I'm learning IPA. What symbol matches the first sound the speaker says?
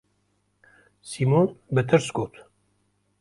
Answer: s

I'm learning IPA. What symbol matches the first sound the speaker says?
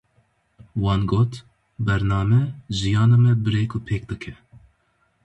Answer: w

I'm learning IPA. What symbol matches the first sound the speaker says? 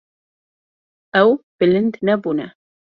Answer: ʔ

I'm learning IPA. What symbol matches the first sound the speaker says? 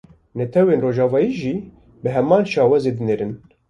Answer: n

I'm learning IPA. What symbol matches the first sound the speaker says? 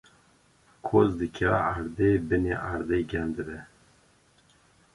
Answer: kʰ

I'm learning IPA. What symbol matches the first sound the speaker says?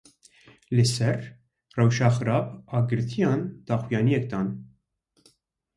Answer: l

